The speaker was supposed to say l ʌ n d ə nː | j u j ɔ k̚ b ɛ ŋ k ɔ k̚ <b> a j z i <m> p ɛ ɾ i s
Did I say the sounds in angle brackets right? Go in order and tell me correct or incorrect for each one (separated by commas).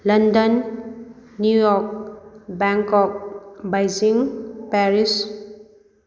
correct, incorrect